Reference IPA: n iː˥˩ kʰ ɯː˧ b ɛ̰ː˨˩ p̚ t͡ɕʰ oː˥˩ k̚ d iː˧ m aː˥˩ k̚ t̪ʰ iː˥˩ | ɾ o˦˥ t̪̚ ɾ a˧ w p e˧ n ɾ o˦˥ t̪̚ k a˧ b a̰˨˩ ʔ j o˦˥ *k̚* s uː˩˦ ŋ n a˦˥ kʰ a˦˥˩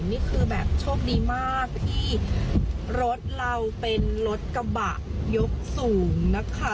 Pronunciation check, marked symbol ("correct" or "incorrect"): correct